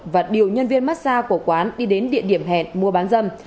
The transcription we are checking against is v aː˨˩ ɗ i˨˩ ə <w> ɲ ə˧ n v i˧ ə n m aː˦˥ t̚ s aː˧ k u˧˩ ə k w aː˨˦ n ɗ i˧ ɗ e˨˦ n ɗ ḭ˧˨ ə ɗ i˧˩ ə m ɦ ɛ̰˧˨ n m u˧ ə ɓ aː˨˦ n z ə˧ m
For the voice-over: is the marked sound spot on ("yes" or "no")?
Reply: yes